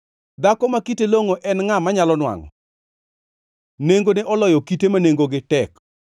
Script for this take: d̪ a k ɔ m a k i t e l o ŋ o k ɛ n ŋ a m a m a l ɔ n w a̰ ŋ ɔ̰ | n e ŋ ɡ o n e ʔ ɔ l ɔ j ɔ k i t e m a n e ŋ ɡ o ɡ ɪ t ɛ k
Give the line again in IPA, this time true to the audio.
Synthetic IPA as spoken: d̪ a k ɔ m a k i t e l o ŋ o ʔ ɛ n ŋ a m a ɲ a l ɔ n w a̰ ŋ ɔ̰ | n e ŋ ɡ o n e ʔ ɔ l ɔ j ɔ k i t e m a n e ŋ ɡ o ɡ ɪ t ɛ k